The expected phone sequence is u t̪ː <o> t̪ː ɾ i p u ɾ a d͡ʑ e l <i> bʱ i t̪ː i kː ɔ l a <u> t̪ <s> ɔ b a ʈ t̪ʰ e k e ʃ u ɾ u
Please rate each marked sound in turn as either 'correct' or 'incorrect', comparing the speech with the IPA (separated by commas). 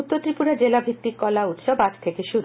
correct, incorrect, correct, incorrect